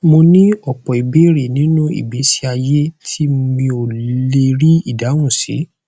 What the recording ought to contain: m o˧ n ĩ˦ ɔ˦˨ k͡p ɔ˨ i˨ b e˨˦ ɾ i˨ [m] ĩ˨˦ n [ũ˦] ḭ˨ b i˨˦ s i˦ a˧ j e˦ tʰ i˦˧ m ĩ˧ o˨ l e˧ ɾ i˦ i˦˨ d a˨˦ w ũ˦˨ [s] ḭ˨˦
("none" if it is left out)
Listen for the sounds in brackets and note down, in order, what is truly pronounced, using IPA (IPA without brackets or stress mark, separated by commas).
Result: n, ũ˦, s